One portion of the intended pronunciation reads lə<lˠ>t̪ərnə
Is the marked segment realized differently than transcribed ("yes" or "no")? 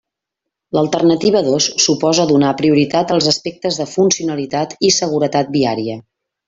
no